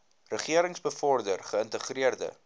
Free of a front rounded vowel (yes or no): yes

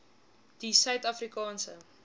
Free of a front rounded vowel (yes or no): no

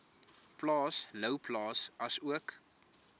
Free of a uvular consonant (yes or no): yes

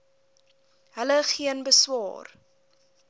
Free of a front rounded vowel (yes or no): yes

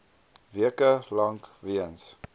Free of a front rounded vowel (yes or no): yes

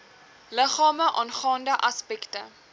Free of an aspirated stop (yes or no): yes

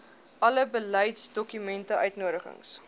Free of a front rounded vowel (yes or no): no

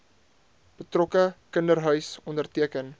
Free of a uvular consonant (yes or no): yes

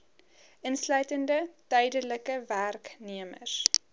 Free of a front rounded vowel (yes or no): no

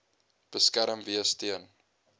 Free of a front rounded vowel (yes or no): yes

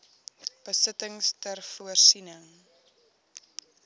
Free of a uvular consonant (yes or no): yes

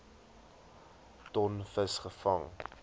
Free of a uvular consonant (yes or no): no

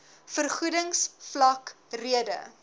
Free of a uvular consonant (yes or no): no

